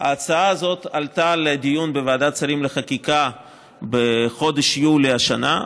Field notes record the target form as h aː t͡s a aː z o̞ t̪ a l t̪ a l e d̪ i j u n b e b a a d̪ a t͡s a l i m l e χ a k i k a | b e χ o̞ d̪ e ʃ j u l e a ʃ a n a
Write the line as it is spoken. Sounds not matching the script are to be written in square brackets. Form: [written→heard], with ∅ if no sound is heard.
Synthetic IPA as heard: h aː t͡s a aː z o̞ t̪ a l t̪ a l e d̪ i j u n b e [b→v] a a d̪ a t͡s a [l→ɾ] i m l e χ a k i k a | b e χ o̞ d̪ e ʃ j u l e a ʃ a n a

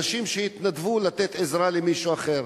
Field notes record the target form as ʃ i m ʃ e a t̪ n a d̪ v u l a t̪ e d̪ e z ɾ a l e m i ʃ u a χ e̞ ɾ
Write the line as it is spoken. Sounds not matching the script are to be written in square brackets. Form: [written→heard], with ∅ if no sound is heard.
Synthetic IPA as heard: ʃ i m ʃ e [a→i] t̪ n a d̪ v u l a t̪ e [d̪→t̪] e z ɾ a l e m i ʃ u a χ e̞ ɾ

